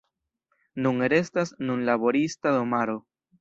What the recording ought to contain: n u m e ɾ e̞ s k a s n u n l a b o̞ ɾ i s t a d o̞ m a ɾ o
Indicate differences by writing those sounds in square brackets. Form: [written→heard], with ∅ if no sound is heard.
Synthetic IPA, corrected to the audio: n u [m→ŋ] e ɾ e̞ s [k→t] a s n u n l a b o̞ ɾ i s t a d o̞ m a ɾ o